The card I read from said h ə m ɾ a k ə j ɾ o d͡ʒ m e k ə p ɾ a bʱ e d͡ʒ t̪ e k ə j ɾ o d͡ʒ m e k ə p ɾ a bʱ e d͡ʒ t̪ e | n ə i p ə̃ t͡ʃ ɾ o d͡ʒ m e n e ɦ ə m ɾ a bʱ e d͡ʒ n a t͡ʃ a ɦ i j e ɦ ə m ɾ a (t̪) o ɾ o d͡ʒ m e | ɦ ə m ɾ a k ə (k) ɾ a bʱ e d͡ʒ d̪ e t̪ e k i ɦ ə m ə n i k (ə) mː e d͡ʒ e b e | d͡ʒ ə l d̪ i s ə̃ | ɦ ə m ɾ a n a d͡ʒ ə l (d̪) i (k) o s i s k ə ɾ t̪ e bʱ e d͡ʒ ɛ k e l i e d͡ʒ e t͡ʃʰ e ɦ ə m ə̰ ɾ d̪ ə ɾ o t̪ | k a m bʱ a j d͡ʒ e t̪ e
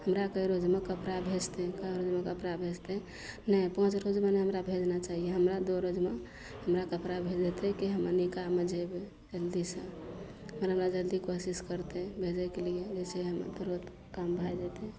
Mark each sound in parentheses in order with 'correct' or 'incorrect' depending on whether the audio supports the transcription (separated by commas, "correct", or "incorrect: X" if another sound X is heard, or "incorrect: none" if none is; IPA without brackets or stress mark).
incorrect: d̪, incorrect: p, incorrect: a, correct, correct